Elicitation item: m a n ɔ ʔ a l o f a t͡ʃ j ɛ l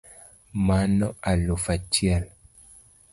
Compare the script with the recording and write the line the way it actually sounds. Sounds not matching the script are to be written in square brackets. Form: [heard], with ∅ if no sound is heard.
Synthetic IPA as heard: m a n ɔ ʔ a l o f a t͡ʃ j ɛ l